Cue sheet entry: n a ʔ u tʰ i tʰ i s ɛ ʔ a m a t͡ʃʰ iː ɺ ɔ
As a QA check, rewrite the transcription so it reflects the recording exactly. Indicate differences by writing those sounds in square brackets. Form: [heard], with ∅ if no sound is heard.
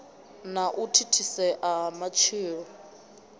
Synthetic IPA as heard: n a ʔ u tʰ i tʰ i s ɛ ʔ a m a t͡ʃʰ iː ɺ ɔ